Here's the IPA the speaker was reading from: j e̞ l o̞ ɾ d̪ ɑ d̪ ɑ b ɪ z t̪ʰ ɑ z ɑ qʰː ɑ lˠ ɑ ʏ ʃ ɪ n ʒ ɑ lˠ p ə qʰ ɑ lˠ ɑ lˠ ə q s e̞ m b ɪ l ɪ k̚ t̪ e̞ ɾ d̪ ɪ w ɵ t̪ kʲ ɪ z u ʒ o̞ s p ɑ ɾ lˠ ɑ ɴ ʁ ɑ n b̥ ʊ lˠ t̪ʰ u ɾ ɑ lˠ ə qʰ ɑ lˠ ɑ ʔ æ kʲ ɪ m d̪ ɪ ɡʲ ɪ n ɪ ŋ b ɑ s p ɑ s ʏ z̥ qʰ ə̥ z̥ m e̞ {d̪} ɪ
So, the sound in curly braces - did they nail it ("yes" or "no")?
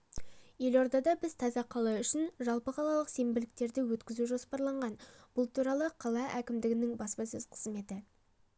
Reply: no